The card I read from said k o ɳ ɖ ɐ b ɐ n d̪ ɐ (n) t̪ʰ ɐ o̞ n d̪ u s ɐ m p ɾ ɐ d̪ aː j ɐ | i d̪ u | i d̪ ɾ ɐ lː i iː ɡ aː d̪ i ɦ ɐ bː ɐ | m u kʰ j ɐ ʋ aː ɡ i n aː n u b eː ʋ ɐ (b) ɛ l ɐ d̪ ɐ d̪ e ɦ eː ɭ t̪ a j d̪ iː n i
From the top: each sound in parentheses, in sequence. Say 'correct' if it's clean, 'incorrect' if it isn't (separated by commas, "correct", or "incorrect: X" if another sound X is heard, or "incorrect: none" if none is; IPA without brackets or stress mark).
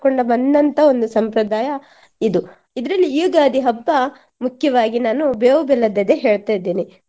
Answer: correct, correct